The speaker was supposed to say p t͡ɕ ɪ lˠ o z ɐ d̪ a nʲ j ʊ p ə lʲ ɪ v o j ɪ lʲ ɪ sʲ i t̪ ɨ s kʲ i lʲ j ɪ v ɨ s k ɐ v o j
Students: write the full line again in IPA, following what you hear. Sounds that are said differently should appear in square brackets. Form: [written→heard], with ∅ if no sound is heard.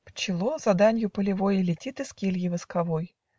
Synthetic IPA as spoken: p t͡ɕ ɪ lˠ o z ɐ d̪ a nʲ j ʊ p ə lʲ ɪ v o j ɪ lʲ ɪ [sʲ→tʲ] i t̪ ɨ s kʲ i lʲ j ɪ v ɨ s k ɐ v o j